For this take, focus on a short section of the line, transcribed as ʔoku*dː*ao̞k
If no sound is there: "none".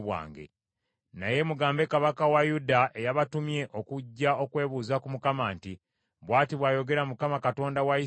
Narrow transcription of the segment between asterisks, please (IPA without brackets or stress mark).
ɟː